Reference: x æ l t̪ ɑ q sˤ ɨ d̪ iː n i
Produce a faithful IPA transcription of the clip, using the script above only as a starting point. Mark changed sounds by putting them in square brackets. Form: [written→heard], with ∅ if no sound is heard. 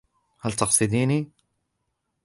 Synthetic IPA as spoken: [x→h] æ l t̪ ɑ q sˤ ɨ d̪ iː n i